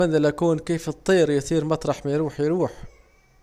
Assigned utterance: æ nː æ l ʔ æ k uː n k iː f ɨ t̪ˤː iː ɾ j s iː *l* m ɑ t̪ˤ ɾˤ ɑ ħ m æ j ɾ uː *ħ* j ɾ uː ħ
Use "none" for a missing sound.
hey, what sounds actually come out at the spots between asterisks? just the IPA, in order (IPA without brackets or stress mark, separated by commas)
ɾ, ħ